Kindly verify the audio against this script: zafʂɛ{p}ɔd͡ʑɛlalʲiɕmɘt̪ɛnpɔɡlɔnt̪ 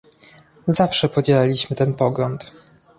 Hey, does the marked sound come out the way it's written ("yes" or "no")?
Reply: yes